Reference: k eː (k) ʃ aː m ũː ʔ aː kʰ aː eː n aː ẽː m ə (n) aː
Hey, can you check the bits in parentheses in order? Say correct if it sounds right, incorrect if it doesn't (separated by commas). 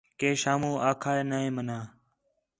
incorrect, correct